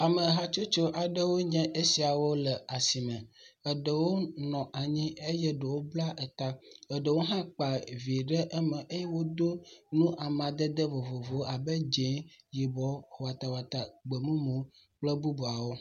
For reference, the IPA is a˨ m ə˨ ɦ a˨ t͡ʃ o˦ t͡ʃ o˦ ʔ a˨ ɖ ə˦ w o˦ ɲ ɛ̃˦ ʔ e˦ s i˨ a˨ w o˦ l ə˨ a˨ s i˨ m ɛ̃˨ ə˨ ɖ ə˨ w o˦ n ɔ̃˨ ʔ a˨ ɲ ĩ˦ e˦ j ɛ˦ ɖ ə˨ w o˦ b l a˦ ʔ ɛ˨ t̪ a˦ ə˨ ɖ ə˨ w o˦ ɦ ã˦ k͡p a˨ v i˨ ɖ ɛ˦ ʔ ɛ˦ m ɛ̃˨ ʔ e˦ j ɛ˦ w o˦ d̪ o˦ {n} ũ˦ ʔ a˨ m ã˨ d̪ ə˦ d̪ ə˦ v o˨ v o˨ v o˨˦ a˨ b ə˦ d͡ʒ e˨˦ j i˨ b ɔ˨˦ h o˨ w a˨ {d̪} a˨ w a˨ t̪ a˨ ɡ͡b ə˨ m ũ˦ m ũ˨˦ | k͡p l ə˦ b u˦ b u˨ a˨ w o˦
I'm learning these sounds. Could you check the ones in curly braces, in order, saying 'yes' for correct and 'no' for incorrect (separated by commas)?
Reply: yes, no